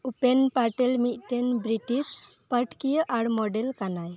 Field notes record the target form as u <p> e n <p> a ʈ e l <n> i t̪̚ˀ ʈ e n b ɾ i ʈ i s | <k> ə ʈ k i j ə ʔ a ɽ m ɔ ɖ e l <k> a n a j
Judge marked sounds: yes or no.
yes, yes, no, no, yes

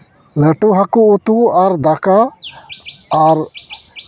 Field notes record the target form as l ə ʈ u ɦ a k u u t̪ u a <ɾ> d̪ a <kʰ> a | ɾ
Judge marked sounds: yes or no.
yes, no

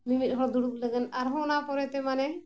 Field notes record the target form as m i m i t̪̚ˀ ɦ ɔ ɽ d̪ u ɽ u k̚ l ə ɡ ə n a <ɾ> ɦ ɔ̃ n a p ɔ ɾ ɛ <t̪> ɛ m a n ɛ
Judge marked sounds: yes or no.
yes, yes

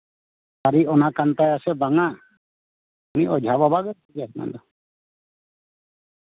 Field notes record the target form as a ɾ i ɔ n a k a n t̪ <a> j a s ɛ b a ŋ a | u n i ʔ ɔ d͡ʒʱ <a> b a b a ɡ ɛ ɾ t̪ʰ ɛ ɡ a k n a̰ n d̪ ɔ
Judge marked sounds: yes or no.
yes, yes

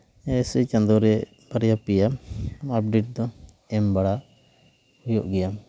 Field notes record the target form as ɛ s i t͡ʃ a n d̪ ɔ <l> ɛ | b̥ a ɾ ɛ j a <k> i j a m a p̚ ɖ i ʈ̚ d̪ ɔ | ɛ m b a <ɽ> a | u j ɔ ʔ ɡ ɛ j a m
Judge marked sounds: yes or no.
no, no, yes

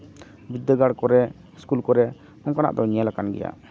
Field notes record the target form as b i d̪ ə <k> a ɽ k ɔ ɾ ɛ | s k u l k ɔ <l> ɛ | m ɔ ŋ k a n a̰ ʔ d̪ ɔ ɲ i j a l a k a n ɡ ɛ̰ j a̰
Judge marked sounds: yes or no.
no, no

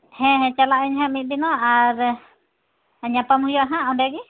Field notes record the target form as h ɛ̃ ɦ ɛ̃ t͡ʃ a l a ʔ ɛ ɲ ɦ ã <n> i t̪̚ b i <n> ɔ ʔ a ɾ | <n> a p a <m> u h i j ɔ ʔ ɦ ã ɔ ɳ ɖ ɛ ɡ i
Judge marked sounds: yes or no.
no, yes, no, yes

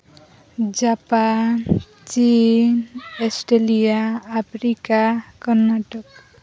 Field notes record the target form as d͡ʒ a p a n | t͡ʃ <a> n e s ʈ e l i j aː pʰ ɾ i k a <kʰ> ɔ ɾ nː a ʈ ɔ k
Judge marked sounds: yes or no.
no, no

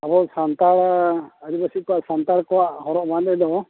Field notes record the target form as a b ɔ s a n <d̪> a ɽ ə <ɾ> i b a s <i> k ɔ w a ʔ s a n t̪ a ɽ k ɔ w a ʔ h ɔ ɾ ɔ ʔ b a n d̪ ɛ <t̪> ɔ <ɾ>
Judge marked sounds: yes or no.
no, yes, yes, no, no

